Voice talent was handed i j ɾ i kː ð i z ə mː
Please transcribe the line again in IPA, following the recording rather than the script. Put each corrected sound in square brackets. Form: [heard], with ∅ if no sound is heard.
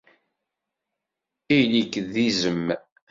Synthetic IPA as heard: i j [l] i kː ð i z ə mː